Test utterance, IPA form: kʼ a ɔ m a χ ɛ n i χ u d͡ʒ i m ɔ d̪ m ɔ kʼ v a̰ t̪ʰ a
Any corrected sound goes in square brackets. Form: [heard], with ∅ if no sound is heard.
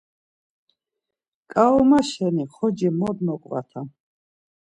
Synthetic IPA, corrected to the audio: kʼ a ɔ m a [ʃ] ɛ n i χ [ɔ] d͡ʒ i m ɔ d̪ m ɔ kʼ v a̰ t̪ʰ a